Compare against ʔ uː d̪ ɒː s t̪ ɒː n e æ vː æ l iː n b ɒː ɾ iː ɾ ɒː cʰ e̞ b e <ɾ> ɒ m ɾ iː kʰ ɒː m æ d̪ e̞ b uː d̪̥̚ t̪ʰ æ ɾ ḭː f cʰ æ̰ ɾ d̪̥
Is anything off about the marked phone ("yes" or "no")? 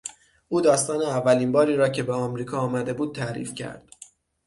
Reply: yes